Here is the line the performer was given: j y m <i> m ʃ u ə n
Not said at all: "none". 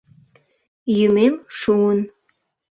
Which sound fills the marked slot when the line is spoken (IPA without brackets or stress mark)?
e